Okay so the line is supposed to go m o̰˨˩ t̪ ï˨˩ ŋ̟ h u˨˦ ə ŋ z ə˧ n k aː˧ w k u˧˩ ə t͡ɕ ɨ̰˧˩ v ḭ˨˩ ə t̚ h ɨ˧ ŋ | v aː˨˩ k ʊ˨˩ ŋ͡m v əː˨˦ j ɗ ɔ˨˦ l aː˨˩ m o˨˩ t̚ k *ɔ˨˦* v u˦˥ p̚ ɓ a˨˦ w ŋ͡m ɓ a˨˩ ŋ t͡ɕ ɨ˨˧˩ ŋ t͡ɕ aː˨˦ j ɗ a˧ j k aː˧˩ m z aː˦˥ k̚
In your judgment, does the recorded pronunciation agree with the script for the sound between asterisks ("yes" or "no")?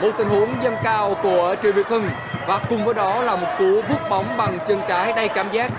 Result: no